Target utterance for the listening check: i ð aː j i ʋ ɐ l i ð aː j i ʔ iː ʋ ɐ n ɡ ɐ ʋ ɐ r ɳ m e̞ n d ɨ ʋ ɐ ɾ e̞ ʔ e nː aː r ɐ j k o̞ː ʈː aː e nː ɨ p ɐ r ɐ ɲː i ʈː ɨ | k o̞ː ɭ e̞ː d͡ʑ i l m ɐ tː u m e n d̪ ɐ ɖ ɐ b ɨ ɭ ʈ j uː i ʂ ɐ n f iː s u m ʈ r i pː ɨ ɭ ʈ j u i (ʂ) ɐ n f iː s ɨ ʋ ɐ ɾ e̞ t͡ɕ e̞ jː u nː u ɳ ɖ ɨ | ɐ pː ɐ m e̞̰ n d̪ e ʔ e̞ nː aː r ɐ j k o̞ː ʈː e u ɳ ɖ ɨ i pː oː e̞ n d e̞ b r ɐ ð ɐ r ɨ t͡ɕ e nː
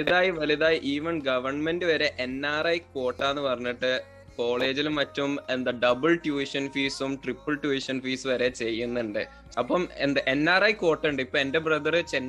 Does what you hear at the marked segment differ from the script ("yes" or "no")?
no